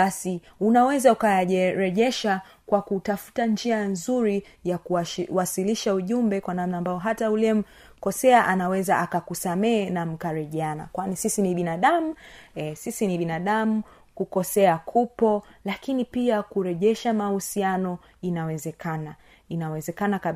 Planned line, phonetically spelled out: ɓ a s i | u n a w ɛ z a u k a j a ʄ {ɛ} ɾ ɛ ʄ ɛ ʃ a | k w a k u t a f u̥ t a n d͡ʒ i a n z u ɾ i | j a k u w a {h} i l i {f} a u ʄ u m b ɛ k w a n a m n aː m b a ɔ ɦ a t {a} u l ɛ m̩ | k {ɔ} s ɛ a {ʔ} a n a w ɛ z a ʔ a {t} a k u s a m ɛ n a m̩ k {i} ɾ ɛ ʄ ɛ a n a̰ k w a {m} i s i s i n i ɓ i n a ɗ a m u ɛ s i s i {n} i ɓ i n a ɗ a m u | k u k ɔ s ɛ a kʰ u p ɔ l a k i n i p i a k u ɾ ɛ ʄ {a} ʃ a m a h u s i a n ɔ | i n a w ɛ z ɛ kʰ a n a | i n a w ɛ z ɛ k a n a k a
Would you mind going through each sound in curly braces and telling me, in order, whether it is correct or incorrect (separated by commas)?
correct, incorrect, incorrect, correct, correct, correct, incorrect, incorrect, incorrect, correct, incorrect